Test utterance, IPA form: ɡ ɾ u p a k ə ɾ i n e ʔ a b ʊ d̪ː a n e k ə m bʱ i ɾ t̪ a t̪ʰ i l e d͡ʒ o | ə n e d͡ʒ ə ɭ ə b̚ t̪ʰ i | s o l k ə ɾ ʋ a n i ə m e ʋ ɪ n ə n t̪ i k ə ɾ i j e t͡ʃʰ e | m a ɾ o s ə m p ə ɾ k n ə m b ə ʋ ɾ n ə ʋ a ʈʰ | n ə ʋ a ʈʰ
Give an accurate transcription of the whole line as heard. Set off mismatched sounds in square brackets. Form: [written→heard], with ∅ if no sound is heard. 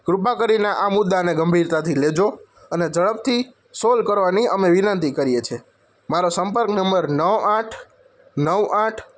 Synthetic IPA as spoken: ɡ ɾ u p a k ə ɾ i n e ʔ a [b→m] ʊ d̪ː a n e [k→ɡ] ə m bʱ i ɾ t̪ a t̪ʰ i l e d͡ʒ o | ə n e d͡ʒ ə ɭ ə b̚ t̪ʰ i | s o l k ə ɾ ʋ a n i ə m e ʋ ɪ n ə n t̪ i k ə ɾ i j e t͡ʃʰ e | m a ɾ o s ə m p ə ɾ k n ə m b ə [ʋ→∅] ɾ n ə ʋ a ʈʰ | n ə ʋ a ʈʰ